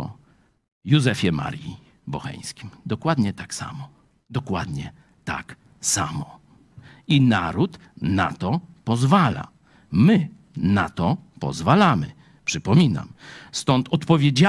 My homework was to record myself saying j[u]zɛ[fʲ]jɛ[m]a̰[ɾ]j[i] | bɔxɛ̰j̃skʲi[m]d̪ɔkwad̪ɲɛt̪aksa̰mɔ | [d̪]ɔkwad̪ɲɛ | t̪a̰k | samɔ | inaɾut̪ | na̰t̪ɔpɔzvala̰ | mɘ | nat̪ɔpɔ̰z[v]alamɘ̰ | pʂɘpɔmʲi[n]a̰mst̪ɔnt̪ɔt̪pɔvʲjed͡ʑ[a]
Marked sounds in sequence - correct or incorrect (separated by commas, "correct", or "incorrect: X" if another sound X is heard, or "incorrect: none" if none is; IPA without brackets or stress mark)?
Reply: correct, correct, correct, correct, correct, correct, correct, correct, correct, correct